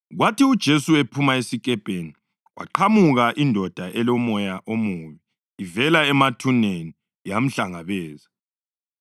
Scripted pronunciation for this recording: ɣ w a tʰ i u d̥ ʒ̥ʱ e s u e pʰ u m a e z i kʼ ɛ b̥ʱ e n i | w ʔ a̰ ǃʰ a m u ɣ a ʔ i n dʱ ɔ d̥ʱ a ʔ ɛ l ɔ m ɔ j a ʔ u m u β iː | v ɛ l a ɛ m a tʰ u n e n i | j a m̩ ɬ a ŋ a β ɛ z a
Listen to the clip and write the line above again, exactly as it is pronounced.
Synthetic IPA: ɣ w a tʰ i u d̥ ʒ̥ʱ e s u e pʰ u m a e s i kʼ ɛ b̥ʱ e n i | w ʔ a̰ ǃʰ a m u ɣ a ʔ i n dʱ ɔ d̥ʱ a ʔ ɛ l ɔ m ɔ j a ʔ o m u β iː | v ɛ l a ɛ m a tʰ u n e n i | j a m̩ ɬ a ŋ a β ɛː z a